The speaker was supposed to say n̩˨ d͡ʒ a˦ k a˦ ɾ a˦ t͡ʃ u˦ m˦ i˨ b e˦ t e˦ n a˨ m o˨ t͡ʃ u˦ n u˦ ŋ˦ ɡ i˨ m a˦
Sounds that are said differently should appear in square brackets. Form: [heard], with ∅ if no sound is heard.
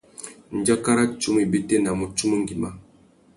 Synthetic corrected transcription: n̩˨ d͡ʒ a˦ k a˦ ɾ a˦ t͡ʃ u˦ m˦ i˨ b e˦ t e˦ n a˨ m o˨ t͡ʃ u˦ [m] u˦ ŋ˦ ɡ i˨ m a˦